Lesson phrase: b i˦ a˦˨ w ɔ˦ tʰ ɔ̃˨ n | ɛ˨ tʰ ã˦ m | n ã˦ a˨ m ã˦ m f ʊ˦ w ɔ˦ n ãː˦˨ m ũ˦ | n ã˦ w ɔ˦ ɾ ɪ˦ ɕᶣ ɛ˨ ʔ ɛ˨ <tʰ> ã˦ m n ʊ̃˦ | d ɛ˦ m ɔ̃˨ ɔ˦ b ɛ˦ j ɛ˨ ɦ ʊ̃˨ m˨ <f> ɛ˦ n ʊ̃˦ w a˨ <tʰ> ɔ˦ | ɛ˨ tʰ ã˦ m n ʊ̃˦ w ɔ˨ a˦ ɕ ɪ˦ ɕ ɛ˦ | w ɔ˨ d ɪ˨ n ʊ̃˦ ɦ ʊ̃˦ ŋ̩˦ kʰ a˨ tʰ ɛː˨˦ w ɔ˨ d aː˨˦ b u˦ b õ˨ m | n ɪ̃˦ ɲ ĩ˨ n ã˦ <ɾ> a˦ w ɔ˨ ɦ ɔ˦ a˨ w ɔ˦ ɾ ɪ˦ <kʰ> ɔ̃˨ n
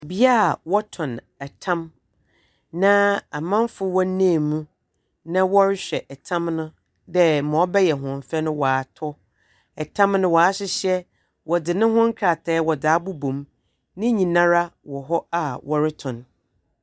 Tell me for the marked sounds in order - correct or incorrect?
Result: correct, correct, correct, correct, incorrect: tʰ

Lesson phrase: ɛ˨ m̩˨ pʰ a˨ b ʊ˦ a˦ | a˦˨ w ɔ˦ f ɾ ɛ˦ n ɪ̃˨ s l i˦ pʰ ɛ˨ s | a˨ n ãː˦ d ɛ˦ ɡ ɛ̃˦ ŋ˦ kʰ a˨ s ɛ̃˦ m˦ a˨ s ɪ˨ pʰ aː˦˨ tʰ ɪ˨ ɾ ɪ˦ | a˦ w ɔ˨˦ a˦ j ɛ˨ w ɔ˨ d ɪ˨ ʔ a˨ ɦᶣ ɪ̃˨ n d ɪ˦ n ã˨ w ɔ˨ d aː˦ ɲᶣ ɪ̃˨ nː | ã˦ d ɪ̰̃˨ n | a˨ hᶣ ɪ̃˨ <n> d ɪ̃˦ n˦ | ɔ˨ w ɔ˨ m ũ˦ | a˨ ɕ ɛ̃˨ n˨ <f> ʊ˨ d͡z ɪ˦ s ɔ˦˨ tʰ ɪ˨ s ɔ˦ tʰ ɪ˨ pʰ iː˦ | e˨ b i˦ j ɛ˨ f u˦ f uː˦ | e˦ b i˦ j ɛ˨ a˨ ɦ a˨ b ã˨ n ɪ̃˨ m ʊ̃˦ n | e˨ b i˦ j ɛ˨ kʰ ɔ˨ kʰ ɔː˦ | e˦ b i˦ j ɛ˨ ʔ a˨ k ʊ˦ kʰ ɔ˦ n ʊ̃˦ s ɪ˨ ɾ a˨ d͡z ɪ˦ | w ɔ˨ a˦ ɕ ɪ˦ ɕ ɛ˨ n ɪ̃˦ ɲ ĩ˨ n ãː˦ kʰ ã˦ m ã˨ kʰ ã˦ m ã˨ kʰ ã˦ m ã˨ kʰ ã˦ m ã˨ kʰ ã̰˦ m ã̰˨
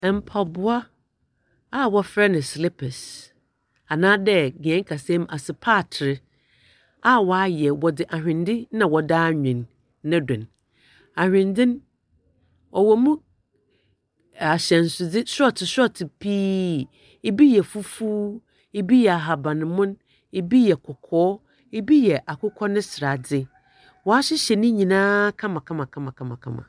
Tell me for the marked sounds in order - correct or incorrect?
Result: correct, incorrect: s

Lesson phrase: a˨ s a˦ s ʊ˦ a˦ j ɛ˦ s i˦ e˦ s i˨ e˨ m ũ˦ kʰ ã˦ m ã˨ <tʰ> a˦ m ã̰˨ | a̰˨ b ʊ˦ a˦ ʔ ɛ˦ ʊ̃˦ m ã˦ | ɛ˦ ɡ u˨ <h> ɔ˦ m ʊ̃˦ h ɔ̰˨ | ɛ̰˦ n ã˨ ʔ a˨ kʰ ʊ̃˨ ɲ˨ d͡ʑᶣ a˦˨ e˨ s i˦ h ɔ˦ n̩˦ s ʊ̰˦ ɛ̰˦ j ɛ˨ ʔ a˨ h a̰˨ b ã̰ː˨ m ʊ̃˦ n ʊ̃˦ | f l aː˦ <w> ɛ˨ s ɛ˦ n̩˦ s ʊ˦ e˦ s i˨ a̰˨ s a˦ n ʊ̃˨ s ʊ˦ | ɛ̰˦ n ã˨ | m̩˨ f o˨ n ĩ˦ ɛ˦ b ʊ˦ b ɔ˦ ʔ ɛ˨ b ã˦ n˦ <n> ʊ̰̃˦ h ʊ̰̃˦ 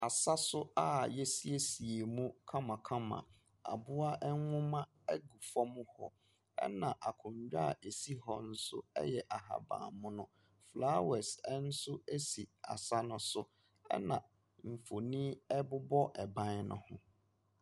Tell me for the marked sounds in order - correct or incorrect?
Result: incorrect: kʰ, incorrect: f, correct, correct

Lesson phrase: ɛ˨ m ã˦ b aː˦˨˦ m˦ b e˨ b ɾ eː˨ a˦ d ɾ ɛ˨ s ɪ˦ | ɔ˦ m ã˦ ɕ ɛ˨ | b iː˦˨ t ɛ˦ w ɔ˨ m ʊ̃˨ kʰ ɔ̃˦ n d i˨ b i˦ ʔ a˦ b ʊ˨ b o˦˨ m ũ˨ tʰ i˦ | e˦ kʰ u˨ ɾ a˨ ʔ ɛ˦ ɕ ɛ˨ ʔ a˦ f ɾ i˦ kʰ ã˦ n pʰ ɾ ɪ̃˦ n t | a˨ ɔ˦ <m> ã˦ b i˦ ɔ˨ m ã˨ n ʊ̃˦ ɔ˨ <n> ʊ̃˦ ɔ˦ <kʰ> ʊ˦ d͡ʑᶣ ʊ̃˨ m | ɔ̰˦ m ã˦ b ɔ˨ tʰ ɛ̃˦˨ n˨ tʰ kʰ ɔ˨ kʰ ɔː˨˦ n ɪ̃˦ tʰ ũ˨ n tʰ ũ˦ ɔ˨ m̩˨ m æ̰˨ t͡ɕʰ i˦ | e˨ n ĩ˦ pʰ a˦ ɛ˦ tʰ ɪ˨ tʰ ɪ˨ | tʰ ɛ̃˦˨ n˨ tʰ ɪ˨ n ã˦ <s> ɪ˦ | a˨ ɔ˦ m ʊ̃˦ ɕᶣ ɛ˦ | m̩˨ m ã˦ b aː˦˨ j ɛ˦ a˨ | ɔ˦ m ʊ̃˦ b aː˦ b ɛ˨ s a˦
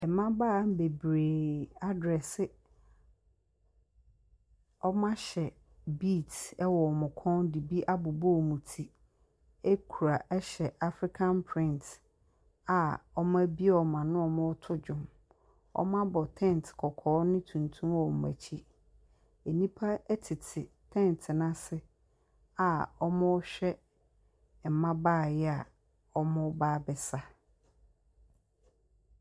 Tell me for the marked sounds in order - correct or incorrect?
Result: correct, incorrect: m, incorrect: tʰ, correct

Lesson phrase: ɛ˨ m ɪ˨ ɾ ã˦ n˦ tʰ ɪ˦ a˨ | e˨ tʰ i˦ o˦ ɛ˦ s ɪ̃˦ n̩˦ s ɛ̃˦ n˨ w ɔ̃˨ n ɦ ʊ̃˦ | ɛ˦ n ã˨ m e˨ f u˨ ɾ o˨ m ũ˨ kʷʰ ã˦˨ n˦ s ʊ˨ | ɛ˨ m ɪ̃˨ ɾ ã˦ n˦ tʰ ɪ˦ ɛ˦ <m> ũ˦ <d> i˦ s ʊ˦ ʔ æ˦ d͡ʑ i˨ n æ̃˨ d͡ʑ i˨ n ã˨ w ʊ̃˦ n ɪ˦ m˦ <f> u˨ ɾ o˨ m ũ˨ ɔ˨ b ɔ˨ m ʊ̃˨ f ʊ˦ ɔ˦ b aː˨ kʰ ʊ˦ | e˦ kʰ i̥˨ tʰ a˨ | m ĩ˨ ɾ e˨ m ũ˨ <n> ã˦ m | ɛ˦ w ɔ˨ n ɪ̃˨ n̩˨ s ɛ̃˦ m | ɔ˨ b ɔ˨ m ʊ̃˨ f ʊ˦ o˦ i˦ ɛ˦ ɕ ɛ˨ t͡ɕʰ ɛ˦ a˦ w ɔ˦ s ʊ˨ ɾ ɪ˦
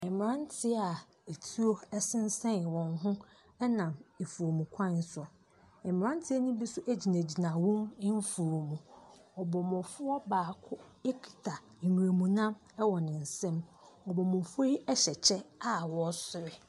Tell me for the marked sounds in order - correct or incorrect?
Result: incorrect: n, incorrect: b, correct, correct

